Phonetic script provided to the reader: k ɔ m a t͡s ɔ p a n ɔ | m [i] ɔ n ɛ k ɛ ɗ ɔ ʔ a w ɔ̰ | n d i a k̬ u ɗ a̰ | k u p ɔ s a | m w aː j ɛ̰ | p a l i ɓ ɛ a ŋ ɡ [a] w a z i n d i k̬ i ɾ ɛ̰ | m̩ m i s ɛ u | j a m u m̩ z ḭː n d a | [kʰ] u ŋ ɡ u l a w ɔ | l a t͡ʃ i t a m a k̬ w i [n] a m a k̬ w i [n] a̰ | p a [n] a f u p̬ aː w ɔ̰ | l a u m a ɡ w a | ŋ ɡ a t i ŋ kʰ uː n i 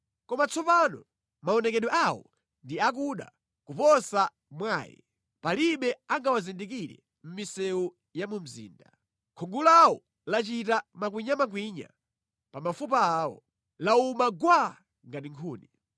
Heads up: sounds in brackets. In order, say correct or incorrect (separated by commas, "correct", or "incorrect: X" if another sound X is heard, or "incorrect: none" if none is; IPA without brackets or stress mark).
incorrect: a, correct, correct, incorrect: ɲ, incorrect: ɲ, incorrect: m